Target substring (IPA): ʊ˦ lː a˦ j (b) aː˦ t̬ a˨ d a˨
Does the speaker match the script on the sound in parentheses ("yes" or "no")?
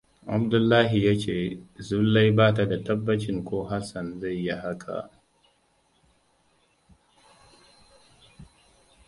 yes